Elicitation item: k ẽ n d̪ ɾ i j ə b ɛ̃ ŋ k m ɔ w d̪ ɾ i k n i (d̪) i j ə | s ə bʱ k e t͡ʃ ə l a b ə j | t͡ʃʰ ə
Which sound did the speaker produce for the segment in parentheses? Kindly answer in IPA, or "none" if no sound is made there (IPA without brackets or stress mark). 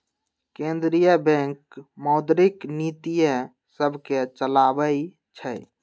t̪